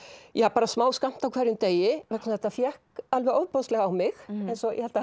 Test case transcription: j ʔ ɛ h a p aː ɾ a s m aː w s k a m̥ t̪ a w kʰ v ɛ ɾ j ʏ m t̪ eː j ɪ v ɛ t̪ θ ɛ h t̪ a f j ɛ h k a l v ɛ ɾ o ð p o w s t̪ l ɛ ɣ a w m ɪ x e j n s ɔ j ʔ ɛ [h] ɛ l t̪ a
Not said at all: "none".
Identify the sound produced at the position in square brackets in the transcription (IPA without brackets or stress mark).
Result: h